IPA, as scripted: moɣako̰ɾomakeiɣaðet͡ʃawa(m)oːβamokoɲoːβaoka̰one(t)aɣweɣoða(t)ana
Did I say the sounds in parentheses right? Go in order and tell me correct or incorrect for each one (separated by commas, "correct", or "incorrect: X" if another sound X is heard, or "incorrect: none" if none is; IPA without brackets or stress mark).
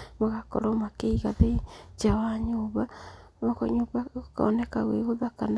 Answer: incorrect: ɲ, incorrect: k, incorrect: k